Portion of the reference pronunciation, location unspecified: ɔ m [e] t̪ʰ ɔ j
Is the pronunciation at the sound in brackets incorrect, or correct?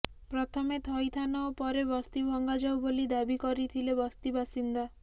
correct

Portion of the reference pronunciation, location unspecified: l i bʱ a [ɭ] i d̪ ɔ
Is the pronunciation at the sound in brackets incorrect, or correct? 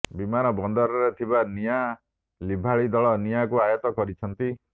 correct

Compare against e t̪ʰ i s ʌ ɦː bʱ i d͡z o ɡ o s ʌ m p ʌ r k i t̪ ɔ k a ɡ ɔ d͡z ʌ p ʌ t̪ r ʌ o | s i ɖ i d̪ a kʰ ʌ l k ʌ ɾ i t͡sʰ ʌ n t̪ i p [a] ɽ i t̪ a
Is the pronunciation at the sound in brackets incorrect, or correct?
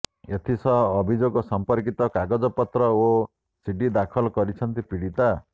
incorrect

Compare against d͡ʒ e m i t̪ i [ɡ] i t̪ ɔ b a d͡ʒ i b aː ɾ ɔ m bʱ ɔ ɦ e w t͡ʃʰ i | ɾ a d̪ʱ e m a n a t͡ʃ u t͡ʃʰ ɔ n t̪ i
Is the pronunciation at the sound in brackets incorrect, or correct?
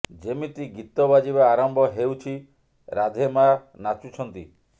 correct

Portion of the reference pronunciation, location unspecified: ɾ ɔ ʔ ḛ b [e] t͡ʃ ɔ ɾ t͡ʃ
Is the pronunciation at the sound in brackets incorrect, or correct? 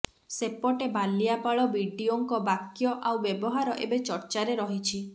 correct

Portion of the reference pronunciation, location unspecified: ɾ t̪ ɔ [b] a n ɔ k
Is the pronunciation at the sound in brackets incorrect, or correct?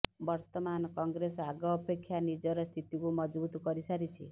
incorrect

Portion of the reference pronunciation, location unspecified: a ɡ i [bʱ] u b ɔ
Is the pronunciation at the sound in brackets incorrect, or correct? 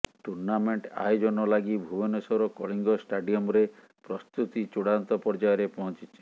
correct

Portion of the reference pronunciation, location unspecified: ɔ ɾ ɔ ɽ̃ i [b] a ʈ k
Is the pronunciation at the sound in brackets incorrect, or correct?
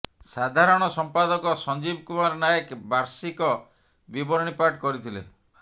incorrect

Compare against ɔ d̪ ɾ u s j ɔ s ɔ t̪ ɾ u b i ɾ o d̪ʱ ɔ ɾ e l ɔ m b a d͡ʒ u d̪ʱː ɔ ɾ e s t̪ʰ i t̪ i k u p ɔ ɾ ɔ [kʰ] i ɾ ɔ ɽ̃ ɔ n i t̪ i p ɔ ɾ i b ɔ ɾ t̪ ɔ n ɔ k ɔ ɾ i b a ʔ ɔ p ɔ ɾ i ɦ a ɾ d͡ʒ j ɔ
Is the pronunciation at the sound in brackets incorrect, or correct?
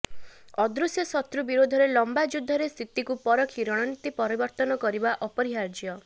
correct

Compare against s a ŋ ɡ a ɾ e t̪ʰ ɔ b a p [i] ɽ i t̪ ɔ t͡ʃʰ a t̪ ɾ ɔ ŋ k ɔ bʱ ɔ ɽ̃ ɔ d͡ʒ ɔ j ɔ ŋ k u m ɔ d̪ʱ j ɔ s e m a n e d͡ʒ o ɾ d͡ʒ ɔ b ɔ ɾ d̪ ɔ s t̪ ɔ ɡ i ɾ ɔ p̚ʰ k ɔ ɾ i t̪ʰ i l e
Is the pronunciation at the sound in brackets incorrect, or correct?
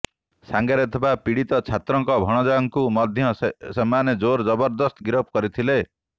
correct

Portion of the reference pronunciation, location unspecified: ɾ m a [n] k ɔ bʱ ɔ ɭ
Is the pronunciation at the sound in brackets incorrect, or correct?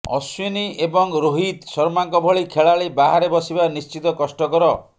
incorrect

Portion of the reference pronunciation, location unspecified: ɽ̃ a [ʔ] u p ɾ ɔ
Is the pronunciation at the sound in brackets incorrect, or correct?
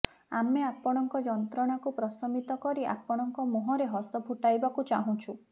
incorrect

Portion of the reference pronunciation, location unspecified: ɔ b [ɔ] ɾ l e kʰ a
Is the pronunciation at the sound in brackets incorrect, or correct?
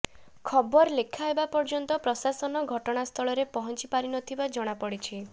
correct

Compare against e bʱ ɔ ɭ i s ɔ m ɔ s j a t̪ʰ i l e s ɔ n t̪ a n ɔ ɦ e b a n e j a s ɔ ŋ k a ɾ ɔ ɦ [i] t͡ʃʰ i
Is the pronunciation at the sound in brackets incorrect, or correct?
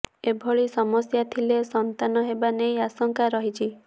correct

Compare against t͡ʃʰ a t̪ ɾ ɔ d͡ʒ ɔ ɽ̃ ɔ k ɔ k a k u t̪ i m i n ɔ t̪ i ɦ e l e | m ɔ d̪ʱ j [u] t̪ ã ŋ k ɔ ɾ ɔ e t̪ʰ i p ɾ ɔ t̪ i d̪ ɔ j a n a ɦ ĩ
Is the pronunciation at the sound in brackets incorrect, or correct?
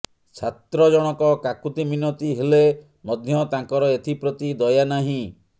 incorrect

